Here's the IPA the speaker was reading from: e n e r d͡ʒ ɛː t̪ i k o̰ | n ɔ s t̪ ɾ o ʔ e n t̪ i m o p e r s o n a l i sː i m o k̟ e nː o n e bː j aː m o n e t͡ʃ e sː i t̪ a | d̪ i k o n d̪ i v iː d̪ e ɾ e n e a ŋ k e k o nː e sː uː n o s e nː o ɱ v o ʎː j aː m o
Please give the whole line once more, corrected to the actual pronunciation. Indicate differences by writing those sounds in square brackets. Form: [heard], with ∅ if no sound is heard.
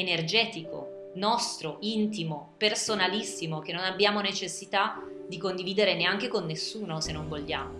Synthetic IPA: e n e r d͡ʒ ɛː t̪ i k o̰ | n ɔ s t̪ ɾ o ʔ [i] n t̪ i m o p e r s o n a l i sː i m o k̟ e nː o n [a] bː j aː m o n e t͡ʃ e sː i t̪ a | d̪ i k o n d̪ i v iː d̪ e ɾ e n e a ŋ k e k o nː e sː uː n o s e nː o ɱ v o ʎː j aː m o